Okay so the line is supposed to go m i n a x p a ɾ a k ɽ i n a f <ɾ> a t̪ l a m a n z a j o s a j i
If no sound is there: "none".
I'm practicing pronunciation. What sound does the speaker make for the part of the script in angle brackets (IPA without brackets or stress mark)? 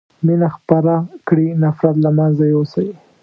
ɾ